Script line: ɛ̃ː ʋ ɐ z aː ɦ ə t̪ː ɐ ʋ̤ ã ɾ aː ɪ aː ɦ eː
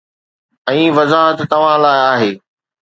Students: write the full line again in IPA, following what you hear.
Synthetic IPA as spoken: ɛ̃ː ʋ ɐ z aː ɦ ə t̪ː ɐ ʋ̤ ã l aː ɪ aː ɦ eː